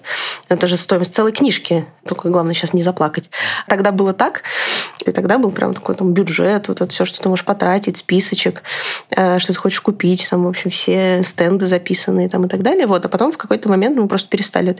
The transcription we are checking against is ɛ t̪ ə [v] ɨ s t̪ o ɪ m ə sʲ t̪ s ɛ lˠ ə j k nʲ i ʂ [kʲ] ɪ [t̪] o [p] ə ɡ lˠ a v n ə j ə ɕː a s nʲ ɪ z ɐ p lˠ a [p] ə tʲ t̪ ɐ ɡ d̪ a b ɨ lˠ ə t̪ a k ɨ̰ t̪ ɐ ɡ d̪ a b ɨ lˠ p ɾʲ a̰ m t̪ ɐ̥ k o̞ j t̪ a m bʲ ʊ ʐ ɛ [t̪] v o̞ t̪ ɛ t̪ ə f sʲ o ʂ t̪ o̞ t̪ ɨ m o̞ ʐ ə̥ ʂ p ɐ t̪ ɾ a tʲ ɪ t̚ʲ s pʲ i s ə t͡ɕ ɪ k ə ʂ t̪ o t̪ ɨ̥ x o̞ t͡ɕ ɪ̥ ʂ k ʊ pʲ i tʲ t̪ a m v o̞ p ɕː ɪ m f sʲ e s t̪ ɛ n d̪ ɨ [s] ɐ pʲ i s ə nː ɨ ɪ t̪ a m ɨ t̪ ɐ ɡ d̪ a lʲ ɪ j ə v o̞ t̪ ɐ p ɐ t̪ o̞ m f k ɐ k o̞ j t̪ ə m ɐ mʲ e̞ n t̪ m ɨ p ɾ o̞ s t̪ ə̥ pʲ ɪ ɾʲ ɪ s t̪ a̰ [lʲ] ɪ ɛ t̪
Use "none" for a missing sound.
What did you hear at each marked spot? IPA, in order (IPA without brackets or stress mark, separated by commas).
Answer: ʐ, kʲ, t̪, k, k, t̪, z, lʲ